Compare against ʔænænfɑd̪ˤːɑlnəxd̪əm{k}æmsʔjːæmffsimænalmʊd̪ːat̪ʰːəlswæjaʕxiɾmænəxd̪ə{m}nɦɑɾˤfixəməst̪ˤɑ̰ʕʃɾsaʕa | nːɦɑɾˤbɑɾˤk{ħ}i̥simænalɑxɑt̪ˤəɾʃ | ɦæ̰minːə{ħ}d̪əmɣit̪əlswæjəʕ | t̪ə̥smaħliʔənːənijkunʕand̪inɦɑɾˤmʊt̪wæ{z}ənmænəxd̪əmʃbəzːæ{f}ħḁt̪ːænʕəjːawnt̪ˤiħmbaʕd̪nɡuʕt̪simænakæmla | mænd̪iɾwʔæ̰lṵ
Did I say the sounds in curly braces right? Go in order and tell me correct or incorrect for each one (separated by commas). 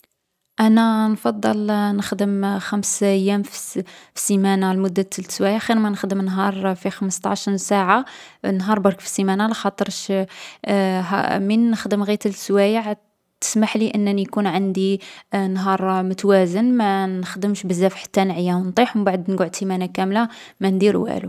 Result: incorrect, correct, incorrect, incorrect, correct, correct